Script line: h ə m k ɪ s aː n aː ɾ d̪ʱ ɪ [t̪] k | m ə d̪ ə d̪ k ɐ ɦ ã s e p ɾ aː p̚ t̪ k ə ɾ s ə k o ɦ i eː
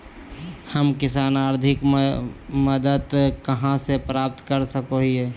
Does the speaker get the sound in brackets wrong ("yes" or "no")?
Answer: yes